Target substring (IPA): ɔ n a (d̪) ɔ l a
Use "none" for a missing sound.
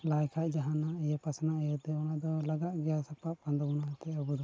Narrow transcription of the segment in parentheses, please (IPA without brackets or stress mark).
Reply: d̪